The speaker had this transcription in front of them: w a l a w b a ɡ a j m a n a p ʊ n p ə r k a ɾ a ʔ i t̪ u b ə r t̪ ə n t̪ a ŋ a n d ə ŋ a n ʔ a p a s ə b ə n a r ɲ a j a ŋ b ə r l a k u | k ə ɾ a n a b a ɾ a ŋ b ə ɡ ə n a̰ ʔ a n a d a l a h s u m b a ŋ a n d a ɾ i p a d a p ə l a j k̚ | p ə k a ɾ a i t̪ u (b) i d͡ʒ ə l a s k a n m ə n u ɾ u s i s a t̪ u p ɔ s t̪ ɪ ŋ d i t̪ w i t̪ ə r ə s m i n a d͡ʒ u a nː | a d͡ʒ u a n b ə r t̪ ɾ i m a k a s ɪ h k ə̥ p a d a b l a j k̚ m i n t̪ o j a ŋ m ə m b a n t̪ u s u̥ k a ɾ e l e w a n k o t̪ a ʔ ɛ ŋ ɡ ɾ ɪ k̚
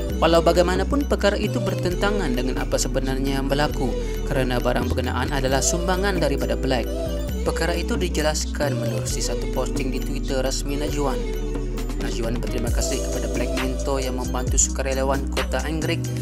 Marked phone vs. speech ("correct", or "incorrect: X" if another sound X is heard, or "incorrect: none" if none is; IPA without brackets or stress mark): incorrect: d